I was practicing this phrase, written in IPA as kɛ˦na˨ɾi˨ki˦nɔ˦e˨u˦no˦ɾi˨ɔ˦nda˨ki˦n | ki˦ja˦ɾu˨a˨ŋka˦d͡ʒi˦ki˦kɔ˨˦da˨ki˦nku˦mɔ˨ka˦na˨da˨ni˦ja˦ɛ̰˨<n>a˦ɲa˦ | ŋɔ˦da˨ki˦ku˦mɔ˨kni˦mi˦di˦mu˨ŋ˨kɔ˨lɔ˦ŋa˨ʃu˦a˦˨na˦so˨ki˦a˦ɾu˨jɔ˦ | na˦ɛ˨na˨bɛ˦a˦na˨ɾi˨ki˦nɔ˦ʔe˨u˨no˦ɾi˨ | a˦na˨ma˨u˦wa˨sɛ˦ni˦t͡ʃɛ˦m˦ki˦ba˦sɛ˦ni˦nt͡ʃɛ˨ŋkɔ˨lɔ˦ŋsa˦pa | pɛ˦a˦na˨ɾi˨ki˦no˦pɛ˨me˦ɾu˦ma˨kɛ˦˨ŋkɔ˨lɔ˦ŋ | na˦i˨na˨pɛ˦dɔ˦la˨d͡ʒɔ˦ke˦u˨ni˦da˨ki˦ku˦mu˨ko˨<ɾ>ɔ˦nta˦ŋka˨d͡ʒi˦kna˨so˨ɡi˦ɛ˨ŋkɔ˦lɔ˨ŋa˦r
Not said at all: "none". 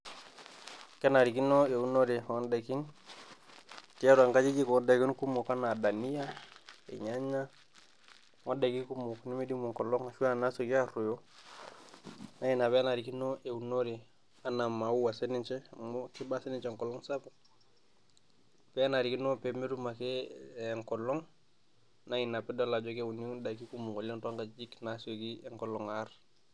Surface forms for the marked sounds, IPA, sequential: ɲ, l

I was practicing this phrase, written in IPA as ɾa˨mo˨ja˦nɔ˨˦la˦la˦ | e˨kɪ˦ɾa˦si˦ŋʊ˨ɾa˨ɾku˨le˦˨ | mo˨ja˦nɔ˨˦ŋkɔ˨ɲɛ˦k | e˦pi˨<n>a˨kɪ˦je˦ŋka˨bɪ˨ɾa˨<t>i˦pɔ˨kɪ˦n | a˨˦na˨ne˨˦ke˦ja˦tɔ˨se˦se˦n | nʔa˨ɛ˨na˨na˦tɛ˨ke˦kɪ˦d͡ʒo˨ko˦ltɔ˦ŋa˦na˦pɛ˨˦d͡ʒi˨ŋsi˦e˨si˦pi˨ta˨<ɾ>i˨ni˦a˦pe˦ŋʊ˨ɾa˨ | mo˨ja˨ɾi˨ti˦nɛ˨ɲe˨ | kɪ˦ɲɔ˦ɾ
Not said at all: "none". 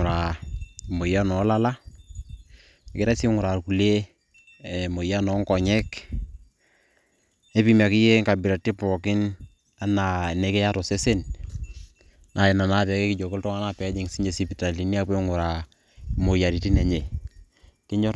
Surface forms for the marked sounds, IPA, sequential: m, t, l

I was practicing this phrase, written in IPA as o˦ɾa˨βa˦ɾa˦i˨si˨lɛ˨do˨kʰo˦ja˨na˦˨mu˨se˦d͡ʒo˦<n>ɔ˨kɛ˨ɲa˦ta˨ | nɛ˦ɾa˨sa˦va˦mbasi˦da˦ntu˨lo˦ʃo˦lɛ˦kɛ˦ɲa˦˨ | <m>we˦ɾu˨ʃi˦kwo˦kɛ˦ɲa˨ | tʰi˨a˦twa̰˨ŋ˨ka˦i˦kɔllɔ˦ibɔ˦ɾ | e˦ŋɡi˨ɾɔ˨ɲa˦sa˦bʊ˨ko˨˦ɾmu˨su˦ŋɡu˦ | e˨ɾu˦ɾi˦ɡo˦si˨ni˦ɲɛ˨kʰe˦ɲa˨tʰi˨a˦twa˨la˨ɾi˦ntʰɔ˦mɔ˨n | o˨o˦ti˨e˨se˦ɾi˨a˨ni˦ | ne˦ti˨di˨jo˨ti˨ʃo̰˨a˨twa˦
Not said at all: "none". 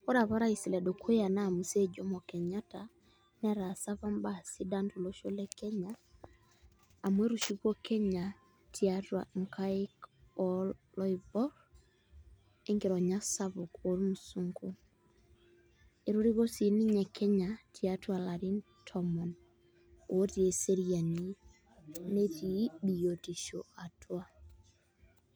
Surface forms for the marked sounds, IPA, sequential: m, m

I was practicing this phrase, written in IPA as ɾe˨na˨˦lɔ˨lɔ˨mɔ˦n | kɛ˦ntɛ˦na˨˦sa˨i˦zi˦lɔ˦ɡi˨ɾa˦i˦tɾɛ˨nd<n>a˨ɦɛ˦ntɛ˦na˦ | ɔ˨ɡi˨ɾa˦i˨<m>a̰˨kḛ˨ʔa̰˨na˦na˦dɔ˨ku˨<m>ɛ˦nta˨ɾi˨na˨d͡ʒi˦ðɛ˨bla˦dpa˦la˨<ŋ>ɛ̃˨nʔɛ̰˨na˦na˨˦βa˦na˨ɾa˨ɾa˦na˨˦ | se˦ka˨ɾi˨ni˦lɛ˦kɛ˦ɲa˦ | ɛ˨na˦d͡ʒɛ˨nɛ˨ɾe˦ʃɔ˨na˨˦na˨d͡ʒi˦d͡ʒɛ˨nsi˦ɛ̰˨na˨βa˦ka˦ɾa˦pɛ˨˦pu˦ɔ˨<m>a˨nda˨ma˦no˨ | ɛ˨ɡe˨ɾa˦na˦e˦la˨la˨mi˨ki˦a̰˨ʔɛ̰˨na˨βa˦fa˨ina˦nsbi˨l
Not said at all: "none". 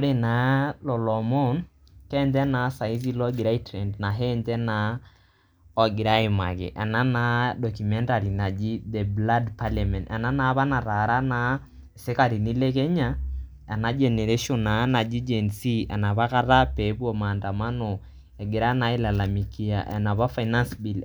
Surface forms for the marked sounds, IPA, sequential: n, m, m, m, m

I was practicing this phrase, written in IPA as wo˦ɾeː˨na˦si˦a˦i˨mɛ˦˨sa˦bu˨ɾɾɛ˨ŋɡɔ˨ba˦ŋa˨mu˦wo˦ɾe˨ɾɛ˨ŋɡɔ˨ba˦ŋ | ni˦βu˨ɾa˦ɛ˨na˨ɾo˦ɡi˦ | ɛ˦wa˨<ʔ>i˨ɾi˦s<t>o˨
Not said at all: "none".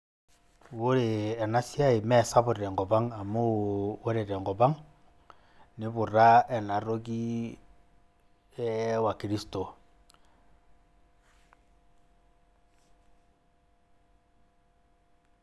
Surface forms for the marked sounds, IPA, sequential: k, t

